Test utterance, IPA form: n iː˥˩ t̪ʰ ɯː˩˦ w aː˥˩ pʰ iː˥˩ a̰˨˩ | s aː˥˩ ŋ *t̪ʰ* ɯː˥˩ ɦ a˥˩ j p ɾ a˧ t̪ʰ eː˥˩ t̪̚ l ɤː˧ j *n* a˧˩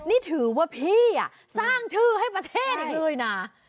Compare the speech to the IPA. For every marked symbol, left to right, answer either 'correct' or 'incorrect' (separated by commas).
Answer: correct, correct